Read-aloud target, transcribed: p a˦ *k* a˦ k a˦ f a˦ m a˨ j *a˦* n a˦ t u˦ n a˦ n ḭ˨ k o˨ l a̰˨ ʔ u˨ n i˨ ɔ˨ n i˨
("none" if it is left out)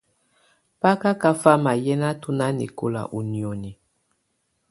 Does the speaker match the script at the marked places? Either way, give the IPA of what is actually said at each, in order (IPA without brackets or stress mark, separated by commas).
k, ɛ˦